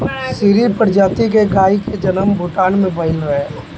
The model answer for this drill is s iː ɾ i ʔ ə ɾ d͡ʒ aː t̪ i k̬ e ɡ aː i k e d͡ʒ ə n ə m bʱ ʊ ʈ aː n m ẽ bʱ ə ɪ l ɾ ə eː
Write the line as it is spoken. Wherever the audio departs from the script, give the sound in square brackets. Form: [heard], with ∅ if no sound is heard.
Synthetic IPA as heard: s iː ɾ i [p] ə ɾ d͡ʒ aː t̪ i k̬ e ɡ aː i k e d͡ʒ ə n ə m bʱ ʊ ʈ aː n m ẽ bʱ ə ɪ l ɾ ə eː